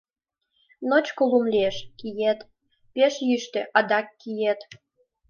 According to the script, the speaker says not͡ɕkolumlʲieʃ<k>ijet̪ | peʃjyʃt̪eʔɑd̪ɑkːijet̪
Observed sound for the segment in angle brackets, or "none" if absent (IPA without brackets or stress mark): k